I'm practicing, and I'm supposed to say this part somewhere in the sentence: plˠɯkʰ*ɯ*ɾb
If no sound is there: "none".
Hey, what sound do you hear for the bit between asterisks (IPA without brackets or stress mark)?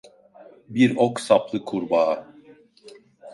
u